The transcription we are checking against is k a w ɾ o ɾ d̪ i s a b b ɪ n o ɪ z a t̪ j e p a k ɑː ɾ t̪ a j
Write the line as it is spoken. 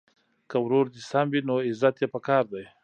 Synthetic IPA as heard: k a w ɾ o ɾ d̪ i s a m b i n o ɪ z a t̪ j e p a k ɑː ɾ d̪ a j